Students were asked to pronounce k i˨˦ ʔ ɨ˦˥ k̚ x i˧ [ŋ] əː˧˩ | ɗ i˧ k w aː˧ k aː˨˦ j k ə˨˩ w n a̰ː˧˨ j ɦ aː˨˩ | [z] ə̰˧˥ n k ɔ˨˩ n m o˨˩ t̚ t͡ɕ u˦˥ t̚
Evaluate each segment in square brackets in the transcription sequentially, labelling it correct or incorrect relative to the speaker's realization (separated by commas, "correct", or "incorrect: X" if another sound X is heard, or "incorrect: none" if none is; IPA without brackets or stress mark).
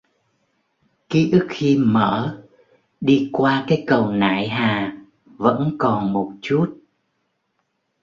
incorrect: m, incorrect: v